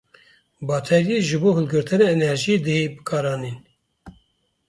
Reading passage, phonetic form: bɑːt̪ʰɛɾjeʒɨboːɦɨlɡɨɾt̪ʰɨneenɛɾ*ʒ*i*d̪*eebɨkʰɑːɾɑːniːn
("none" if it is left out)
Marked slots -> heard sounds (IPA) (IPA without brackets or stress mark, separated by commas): ʒ, d̪